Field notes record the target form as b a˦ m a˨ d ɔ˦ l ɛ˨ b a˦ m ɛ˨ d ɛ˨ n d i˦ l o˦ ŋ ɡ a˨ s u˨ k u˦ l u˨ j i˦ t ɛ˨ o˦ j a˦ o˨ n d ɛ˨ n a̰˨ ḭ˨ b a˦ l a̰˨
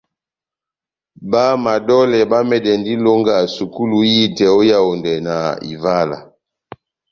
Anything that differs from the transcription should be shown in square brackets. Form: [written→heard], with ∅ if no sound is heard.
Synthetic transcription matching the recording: b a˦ m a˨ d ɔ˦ l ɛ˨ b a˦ m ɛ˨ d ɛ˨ n d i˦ l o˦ ŋ ɡ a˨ s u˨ k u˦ l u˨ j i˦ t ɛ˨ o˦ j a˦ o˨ n d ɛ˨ n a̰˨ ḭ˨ [b→v] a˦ l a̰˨